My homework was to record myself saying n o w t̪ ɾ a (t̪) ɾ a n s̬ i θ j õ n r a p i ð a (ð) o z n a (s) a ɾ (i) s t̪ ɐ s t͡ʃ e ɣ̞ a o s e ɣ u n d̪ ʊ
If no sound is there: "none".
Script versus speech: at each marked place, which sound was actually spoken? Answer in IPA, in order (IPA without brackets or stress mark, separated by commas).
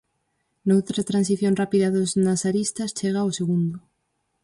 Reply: t̪, ð, s, i